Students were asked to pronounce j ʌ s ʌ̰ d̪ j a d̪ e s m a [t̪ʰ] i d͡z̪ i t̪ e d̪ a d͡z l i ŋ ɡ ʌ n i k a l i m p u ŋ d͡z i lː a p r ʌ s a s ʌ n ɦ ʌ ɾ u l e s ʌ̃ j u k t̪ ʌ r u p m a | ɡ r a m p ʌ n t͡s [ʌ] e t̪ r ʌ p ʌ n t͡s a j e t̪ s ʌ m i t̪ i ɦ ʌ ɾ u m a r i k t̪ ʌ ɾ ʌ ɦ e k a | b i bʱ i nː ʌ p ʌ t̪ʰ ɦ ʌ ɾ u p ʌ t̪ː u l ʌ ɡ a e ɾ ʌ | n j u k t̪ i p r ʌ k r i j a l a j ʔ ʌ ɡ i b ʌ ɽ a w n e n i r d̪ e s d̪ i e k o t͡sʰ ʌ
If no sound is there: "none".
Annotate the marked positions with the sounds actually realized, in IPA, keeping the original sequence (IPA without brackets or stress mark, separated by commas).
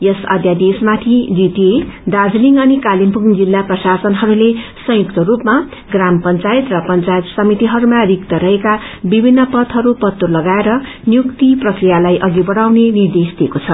t̪ʰ, a